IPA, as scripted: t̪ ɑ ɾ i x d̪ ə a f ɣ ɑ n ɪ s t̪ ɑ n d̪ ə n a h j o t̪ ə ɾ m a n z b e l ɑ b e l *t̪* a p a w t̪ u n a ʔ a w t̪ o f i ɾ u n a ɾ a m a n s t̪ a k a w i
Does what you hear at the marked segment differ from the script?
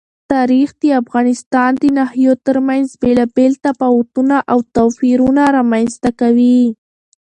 no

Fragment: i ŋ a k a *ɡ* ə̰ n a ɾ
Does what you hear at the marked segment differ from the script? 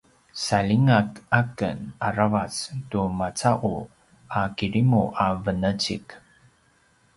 yes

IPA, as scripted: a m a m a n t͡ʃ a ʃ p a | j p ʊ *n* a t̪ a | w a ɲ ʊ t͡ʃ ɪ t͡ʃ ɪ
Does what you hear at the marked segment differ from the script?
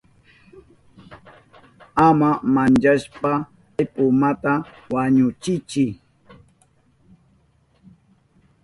yes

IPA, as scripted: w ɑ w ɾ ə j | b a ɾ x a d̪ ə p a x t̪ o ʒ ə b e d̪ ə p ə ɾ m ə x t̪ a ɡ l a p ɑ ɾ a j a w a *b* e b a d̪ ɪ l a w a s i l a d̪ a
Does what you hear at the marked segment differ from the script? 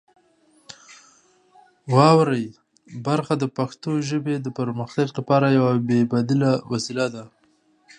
no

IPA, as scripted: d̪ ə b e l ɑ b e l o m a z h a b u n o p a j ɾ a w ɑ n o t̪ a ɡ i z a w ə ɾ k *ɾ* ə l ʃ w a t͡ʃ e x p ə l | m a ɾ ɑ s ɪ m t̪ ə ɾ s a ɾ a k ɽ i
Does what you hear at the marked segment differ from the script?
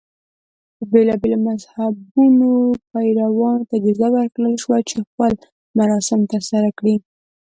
yes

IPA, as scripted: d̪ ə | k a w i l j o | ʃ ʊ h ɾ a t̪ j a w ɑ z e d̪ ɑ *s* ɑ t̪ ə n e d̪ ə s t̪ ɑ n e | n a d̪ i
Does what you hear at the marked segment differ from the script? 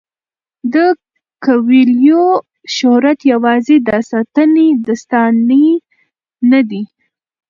no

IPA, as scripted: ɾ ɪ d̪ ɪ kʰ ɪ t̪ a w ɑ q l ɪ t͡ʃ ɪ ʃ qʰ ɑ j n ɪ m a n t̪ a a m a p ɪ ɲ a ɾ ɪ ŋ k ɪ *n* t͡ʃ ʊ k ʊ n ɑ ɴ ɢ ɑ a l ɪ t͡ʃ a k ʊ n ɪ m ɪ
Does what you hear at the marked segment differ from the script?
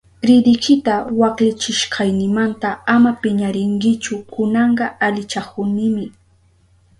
yes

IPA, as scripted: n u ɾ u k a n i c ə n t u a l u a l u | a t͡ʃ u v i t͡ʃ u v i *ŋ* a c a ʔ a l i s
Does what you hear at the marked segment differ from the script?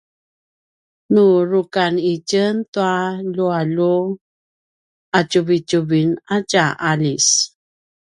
yes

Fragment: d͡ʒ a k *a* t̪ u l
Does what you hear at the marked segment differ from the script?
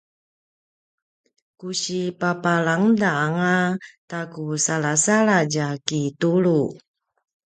yes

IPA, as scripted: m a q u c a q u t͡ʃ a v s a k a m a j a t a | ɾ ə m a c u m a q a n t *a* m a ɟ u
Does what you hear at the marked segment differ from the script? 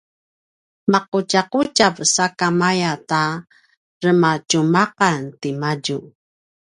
yes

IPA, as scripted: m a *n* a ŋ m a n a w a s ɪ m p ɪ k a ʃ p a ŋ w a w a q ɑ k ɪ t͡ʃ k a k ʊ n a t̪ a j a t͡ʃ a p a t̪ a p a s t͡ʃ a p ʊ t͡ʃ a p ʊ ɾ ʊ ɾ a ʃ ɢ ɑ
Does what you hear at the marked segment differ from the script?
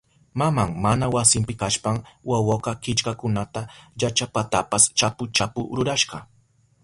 yes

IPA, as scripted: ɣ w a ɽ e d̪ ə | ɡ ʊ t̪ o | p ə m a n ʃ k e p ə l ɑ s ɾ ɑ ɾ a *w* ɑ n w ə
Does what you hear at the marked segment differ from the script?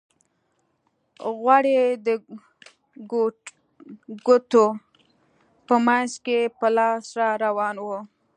no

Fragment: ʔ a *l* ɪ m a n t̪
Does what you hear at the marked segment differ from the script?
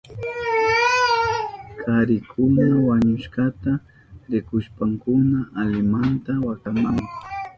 no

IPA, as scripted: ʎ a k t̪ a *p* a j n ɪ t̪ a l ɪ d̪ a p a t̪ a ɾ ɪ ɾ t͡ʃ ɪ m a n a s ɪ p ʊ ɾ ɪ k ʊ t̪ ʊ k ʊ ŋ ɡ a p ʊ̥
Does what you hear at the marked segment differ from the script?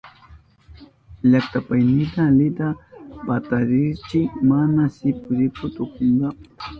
no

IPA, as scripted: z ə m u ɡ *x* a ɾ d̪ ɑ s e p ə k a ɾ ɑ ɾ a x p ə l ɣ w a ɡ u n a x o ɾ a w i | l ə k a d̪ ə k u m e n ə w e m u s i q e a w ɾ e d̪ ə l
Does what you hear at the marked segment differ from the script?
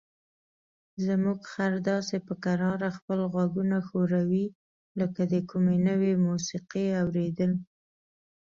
no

